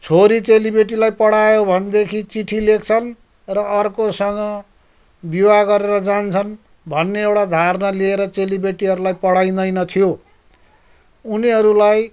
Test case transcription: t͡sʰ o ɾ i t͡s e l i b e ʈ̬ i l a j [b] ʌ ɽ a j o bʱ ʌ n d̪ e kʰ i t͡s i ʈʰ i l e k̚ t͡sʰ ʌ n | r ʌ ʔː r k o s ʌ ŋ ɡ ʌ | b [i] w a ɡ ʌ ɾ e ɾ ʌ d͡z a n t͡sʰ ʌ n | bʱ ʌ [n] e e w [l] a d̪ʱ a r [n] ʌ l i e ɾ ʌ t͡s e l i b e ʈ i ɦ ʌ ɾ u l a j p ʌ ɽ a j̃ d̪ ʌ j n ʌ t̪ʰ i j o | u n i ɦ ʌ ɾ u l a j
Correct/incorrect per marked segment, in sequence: incorrect: p, correct, incorrect: nː, incorrect: ɽ, correct

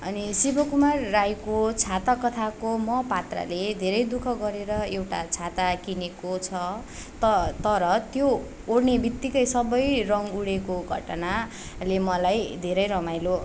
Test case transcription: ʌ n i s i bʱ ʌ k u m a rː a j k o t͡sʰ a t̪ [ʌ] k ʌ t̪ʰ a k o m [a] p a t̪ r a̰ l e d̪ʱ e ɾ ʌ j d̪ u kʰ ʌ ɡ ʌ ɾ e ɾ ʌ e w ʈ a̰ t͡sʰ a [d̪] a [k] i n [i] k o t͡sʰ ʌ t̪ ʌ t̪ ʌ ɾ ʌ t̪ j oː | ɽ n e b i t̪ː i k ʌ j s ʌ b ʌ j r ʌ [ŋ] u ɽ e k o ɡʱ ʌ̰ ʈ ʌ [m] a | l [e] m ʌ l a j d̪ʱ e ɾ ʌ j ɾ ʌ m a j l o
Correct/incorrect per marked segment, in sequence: incorrect: a, incorrect: ʌ, incorrect: t̪, correct, incorrect: e, correct, incorrect: n, correct

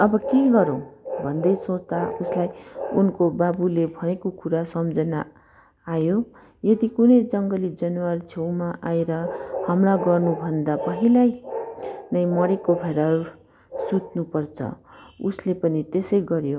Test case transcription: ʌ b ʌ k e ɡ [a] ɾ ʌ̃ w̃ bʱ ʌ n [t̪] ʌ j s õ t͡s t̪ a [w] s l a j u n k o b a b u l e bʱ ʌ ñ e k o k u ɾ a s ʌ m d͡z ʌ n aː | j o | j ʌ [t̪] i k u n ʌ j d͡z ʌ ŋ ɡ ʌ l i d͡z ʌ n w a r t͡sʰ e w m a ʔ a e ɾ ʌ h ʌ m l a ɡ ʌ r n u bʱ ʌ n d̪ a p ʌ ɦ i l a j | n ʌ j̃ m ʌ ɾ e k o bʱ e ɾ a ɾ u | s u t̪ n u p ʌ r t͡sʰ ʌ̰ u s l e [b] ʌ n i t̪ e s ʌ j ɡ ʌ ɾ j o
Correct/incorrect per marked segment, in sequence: incorrect: ʌ, incorrect: d̪, incorrect: u, incorrect: d̪, incorrect: p

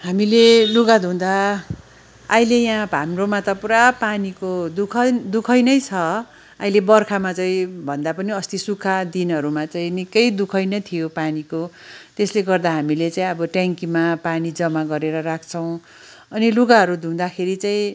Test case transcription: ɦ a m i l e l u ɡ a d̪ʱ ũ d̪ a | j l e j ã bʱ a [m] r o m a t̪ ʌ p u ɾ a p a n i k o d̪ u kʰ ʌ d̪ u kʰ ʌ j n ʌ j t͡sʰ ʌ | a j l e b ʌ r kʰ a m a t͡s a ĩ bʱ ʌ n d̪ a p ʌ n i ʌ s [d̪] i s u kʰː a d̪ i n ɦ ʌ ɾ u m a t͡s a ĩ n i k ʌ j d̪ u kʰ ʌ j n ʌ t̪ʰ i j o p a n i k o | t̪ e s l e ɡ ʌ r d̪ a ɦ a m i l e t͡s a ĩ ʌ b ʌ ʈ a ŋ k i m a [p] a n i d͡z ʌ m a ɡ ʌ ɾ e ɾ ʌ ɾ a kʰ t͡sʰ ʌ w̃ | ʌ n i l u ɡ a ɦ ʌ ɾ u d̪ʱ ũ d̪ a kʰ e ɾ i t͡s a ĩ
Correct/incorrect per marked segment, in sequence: correct, incorrect: t̪, correct

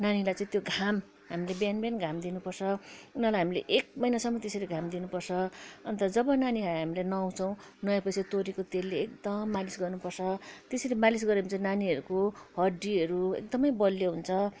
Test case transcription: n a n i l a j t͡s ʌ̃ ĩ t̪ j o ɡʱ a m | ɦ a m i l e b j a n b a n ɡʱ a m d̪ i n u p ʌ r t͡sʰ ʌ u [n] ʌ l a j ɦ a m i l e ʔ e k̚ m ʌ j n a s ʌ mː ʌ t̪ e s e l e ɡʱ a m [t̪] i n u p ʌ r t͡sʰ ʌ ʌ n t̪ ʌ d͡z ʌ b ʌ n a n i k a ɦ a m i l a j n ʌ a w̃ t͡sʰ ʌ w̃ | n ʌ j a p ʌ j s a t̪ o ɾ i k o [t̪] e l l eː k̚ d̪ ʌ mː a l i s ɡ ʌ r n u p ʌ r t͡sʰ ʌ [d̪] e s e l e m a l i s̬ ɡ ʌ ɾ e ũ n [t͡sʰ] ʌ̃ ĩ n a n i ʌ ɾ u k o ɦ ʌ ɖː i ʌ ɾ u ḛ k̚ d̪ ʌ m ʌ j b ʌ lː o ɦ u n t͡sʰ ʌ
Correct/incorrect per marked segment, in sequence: correct, incorrect: d̪, correct, incorrect: t̪, incorrect: t͡s

